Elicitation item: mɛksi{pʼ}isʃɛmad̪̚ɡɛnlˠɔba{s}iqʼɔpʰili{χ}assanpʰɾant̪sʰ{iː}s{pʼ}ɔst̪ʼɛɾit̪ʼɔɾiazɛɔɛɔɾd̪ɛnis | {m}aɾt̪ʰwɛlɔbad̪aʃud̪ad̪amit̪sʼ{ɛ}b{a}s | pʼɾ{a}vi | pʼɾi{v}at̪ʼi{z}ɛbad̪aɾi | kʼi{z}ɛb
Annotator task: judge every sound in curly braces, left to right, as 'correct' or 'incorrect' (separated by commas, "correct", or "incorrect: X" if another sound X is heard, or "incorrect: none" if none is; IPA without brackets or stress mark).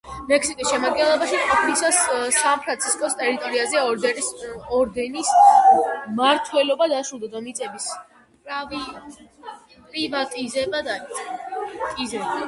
incorrect: kʼ, incorrect: ʃ, incorrect: s, incorrect: i, incorrect: kʼ, correct, correct, incorrect: i, correct, correct, correct, correct